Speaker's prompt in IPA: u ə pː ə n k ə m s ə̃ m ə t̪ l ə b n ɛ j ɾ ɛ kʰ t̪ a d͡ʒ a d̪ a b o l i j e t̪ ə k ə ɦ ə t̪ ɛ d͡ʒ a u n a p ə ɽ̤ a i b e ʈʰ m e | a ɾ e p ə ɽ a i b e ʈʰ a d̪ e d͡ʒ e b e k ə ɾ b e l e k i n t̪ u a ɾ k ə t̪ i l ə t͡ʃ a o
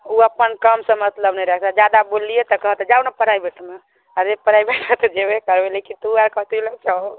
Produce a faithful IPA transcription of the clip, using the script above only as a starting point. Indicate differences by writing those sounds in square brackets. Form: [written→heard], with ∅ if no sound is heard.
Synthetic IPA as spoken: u ə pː ə n k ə m s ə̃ m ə t̪ l ə b n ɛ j ɾ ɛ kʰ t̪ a d͡ʒ a d̪ a b o l i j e t̪ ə k ə ɦ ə t̪ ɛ d͡ʒ a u n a p ə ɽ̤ a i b e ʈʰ m e | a ɾ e p ə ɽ a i b e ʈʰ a [d̪→t̪] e d͡ʒ e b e k ə ɾ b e l e k i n t̪ u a ɾ k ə t̪ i l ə t͡ʃ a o

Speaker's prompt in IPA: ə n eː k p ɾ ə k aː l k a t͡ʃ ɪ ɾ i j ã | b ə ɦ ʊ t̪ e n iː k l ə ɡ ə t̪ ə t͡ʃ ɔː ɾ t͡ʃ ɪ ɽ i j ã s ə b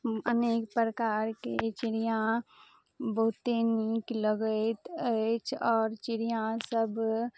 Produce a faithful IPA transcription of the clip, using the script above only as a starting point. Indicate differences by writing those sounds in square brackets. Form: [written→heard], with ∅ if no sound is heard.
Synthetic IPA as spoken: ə n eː k p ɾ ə k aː [l→ɾ] k [a→e] t͡ʃ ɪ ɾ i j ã | b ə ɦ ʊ t̪ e n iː k l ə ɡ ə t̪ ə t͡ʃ ɔː ɾ t͡ʃ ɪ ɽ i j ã s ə b

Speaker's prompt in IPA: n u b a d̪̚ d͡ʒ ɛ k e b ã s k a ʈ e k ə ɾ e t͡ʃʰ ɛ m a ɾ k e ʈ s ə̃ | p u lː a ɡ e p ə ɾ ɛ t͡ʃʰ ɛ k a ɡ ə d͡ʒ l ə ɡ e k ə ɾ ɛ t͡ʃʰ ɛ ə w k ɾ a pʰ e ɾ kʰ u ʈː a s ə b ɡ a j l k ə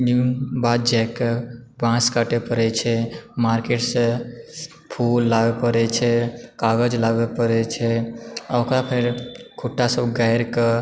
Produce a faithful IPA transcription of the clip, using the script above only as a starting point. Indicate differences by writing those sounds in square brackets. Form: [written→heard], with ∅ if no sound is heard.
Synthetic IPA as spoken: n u b a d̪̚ d͡ʒ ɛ k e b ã s k a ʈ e [k→p] ə ɾ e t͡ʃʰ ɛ m a ɾ k e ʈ s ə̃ | [p→pʰ] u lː a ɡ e p ə ɾ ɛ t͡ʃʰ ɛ k a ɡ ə d͡ʒ l [ə→a] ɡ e [k→p] ə ɾ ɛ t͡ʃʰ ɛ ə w k ɾ a pʰ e ɾ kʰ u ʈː a s ə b ɡ a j [l→ɾ] k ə

